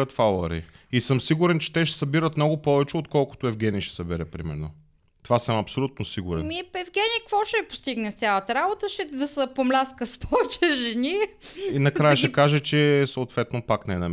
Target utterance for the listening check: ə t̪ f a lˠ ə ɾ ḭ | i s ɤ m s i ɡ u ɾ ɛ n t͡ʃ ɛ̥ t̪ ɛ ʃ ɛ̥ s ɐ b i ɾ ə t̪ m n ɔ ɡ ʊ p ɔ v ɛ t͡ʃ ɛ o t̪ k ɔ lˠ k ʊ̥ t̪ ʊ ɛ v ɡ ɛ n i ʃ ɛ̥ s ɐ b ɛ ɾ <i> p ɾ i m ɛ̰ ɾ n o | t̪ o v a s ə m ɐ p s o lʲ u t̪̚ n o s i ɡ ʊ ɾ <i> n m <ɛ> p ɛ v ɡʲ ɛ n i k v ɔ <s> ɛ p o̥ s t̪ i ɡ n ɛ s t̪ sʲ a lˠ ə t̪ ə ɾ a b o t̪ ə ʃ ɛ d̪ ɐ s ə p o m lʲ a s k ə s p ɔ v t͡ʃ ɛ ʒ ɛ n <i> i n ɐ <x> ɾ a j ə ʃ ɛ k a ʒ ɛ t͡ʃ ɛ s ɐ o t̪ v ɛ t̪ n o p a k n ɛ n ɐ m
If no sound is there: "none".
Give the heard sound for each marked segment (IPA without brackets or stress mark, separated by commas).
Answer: ɛ, ɛ, i, ʃ, i, k